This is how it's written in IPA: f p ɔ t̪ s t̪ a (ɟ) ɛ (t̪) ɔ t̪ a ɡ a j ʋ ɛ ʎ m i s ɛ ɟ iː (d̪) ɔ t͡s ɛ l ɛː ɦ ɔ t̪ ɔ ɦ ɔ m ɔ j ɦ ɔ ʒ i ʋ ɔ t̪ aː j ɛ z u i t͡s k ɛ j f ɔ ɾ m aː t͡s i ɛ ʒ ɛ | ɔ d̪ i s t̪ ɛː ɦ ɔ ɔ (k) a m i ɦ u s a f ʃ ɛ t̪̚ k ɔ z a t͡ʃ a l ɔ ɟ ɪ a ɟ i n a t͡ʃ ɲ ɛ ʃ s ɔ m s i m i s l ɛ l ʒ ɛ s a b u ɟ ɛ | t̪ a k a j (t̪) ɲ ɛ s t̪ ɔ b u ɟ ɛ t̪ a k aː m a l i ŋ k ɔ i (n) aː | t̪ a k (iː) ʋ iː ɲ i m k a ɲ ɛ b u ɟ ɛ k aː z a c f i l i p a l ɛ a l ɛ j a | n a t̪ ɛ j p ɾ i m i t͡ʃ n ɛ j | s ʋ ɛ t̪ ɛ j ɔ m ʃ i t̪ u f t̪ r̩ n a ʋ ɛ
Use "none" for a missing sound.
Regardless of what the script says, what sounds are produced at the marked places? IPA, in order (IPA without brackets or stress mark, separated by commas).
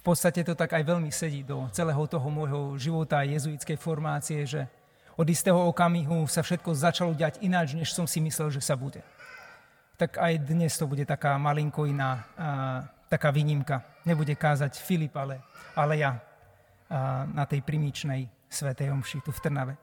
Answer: c, t̪, d̪, k, d̪, n, aː